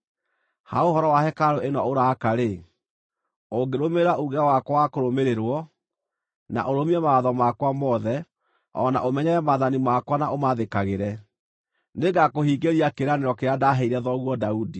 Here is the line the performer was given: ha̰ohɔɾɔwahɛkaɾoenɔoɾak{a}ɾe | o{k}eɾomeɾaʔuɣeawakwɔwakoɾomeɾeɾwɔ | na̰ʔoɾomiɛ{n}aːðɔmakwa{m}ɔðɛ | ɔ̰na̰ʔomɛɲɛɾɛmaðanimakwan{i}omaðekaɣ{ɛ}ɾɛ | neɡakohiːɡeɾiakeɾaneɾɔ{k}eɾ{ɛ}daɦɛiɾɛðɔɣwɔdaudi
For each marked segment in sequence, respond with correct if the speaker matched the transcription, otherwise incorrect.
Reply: correct, incorrect, incorrect, correct, incorrect, incorrect, correct, incorrect

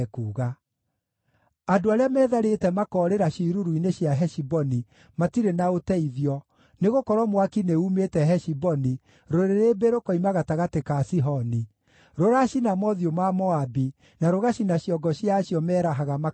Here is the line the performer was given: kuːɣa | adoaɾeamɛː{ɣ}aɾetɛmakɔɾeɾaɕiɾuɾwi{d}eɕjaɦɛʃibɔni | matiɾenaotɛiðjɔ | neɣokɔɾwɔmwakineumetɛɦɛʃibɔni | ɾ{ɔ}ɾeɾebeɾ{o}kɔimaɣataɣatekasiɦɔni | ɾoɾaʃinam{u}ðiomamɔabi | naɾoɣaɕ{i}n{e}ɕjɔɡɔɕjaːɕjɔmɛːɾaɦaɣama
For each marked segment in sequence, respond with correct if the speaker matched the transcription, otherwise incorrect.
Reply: incorrect, incorrect, incorrect, correct, incorrect, correct, incorrect

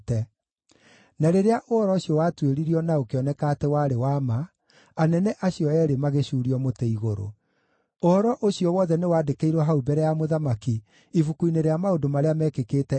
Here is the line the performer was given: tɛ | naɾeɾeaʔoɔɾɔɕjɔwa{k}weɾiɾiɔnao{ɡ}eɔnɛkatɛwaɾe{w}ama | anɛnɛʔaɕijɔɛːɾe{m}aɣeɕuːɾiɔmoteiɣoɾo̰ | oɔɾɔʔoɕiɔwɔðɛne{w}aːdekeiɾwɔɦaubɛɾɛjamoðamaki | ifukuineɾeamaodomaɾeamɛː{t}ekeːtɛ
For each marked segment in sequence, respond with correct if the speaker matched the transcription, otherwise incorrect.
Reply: incorrect, incorrect, correct, correct, correct, incorrect

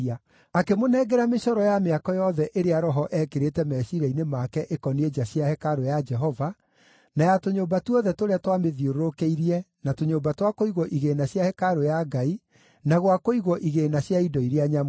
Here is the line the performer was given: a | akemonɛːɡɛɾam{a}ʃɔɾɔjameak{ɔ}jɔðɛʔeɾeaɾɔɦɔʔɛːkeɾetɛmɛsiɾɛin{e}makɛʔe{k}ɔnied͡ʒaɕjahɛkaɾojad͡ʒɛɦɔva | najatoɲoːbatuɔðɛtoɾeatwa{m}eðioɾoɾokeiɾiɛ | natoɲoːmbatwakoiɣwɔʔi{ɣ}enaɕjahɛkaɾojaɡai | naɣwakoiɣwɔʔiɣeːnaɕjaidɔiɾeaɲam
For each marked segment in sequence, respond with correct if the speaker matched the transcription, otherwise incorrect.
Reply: incorrect, correct, correct, correct, correct, correct

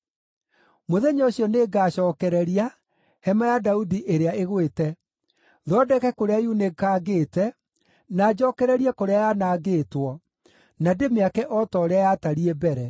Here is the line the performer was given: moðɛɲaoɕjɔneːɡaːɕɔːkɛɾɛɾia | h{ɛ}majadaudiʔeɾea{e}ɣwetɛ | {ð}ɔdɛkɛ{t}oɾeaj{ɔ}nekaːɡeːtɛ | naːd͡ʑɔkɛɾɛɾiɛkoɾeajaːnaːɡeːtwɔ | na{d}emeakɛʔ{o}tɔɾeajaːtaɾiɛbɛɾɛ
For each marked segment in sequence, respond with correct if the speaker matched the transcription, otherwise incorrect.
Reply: correct, correct, correct, incorrect, incorrect, correct, incorrect

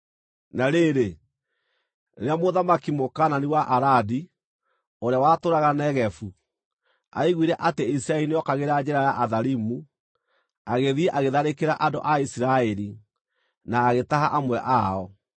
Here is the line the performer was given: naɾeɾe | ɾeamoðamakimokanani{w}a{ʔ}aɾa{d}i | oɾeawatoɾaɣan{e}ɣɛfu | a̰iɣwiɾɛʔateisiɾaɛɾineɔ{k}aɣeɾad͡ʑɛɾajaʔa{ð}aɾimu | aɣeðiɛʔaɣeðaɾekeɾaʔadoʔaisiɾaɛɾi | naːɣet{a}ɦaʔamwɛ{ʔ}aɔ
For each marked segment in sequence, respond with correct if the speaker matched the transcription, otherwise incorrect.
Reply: correct, correct, correct, incorrect, correct, correct, correct, correct

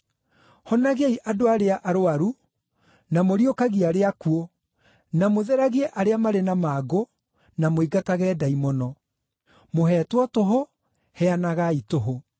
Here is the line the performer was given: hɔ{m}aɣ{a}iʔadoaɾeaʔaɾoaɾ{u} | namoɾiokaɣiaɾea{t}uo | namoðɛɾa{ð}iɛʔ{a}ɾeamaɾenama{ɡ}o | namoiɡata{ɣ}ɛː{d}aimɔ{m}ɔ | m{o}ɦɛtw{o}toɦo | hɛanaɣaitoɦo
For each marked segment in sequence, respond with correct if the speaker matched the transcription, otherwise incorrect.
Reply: incorrect, incorrect, correct, incorrect, incorrect, correct, correct, correct, correct, incorrect, correct, incorrect

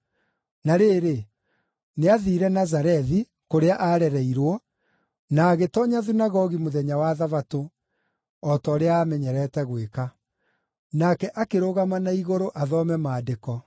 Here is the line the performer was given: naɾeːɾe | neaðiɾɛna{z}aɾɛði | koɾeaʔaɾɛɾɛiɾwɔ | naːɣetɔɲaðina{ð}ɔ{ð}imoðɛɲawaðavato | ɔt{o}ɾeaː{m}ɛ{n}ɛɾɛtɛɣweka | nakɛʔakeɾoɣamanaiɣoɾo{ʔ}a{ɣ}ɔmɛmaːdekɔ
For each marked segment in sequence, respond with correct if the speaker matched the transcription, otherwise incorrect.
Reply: correct, incorrect, incorrect, incorrect, correct, incorrect, correct, incorrect

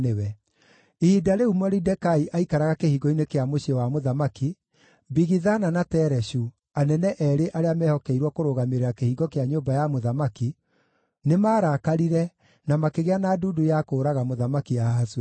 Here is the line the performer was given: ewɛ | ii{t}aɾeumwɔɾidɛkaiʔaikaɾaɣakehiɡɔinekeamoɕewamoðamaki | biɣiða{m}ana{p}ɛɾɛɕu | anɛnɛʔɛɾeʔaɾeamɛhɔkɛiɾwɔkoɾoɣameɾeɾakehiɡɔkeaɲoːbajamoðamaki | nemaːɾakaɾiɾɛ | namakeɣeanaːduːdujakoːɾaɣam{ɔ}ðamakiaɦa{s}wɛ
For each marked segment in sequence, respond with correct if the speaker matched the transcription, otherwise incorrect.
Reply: incorrect, incorrect, incorrect, incorrect, correct

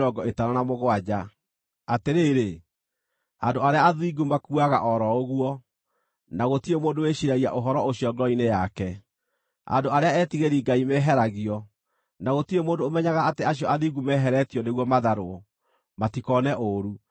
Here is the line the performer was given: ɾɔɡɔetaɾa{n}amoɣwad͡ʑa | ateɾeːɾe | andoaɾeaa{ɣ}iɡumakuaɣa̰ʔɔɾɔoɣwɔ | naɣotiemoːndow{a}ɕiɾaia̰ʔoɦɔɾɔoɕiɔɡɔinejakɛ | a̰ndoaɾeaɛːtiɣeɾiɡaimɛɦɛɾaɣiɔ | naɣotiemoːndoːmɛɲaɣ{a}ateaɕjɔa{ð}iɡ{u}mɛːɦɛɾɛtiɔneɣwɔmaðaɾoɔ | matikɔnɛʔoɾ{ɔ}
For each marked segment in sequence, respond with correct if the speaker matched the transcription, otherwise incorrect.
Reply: correct, incorrect, incorrect, correct, correct, correct, incorrect

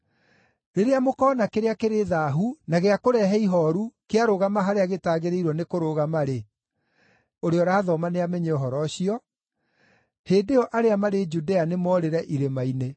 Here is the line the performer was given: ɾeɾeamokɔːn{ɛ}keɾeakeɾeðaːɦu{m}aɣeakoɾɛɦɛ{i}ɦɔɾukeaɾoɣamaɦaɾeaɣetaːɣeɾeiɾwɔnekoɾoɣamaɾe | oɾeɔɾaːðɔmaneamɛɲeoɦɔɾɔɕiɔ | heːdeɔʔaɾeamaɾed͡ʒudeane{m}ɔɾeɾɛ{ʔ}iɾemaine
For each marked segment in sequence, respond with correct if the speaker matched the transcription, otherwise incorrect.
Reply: incorrect, incorrect, correct, correct, correct

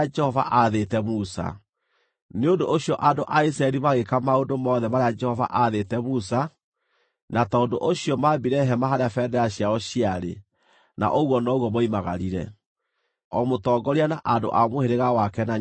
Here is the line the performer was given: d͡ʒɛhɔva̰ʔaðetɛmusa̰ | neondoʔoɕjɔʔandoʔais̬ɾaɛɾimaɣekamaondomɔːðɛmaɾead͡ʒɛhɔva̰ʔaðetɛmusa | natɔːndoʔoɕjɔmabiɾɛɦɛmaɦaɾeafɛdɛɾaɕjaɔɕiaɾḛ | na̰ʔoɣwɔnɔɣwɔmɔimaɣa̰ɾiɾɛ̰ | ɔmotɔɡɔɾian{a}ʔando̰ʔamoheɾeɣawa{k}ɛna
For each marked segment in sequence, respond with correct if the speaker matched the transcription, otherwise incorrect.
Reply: correct, correct

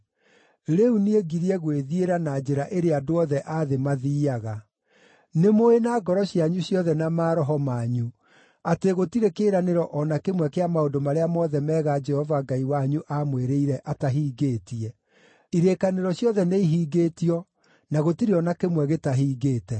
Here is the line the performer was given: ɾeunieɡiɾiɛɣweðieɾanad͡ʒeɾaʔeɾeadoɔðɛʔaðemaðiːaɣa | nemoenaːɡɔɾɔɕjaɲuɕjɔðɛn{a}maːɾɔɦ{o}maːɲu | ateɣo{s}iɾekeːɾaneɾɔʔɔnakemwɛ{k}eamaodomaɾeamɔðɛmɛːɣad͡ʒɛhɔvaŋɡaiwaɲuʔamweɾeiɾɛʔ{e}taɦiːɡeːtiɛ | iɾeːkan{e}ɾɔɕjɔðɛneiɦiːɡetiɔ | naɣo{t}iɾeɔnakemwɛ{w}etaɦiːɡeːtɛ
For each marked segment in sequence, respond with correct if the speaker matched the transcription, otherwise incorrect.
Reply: correct, incorrect, incorrect, correct, incorrect, correct, correct, incorrect

